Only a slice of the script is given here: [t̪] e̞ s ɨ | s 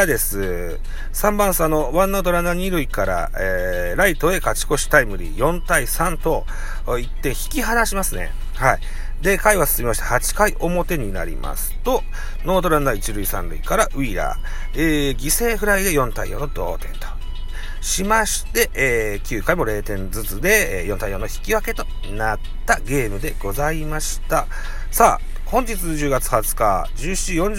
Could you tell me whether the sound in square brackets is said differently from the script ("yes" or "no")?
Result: yes